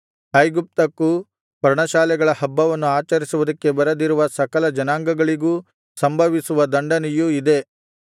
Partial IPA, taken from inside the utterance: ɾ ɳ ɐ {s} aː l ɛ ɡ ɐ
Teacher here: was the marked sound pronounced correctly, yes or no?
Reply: no